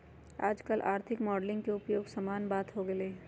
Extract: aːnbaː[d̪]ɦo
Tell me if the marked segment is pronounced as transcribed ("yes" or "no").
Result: no